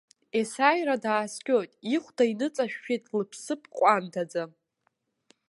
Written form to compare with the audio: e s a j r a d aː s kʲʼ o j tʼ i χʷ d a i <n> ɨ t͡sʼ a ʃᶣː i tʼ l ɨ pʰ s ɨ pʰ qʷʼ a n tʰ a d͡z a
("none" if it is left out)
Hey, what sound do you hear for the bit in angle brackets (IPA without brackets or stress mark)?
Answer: n